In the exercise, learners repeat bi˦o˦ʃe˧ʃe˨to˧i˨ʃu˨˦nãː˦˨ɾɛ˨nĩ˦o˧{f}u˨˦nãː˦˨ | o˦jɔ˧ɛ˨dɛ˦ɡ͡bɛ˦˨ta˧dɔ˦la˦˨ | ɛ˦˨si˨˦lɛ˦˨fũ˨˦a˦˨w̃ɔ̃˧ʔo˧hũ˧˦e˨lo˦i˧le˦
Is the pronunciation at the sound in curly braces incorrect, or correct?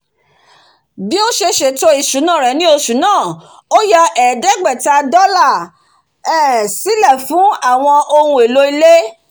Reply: incorrect